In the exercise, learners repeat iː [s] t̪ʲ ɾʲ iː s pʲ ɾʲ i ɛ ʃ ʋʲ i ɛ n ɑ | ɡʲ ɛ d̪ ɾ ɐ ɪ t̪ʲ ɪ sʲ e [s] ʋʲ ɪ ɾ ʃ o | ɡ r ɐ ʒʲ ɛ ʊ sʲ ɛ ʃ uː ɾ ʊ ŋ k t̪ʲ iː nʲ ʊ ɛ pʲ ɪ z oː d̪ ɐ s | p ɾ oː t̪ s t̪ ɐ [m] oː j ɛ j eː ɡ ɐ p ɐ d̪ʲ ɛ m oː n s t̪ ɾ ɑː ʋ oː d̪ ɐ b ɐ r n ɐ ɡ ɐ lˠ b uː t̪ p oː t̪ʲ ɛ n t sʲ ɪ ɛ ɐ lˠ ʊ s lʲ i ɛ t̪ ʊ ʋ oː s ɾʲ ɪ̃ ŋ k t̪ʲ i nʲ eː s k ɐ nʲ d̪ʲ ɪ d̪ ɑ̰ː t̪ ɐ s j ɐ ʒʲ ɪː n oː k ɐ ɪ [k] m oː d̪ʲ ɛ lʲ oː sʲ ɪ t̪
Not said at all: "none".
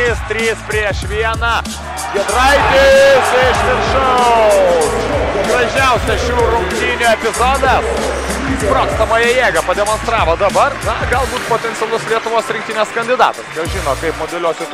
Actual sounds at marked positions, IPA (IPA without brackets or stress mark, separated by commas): s, ʃ, m, p